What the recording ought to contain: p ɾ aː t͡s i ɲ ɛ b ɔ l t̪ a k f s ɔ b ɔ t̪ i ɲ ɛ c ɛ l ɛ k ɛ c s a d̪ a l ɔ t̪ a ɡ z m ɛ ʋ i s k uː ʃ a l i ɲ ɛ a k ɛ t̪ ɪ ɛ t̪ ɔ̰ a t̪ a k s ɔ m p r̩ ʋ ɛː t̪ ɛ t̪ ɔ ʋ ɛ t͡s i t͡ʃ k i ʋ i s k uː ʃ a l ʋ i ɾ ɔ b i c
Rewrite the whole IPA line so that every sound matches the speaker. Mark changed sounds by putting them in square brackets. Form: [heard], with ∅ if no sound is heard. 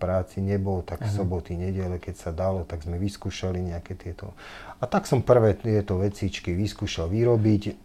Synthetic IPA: p ɾ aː t͡s i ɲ ɛ b ɔ l t̪ a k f s ɔ b ɔ t̪ i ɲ ɛ [ɟ] ɛ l ɛ k ɛ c s a d̪ a l ɔ t̪ a ɡ z m ɛ ʋ i s k uː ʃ a l i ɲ ɛ a k ɛ t̪ ɪ ɛ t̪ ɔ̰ a t̪ a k s ɔ m p r̩ ʋ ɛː t̪ ɛ t̪ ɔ ʋ ɛ t͡s i t͡ʃ k i ʋ i s k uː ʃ a l ʋ i ɾ ɔ b i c